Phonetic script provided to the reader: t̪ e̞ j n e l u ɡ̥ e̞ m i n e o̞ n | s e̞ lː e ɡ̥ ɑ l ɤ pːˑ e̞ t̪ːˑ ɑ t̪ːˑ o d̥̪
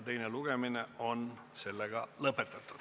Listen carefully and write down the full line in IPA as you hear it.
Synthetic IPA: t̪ e̞ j n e l u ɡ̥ e̞ m i n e o̞ n | s e̞ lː e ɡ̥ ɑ l ɤ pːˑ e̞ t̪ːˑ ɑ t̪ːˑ u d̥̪